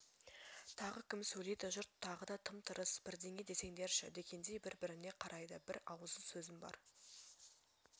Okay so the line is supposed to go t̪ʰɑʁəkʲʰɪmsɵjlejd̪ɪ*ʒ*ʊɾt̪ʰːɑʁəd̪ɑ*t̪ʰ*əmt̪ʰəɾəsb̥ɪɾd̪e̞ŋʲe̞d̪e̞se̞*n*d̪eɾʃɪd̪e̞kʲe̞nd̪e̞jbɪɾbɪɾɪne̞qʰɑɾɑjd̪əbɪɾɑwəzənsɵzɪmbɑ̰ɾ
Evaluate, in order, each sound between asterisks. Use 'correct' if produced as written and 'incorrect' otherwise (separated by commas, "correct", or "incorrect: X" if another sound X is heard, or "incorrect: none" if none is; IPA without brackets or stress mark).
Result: correct, correct, incorrect: ŋ